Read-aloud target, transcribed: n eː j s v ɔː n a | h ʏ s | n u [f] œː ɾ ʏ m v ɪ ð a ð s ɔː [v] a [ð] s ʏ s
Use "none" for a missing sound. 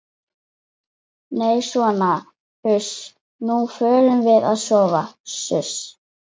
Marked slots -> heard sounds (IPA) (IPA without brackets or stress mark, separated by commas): f, v, none